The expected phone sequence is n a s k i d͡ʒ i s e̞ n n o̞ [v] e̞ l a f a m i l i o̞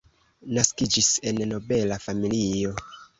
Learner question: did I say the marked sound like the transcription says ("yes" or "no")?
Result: no